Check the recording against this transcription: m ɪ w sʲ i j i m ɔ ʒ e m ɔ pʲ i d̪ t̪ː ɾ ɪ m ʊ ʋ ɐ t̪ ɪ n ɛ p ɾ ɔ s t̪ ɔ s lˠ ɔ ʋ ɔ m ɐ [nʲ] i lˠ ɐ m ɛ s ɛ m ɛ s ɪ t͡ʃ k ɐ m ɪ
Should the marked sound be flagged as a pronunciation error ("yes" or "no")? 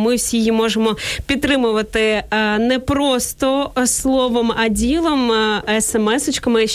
yes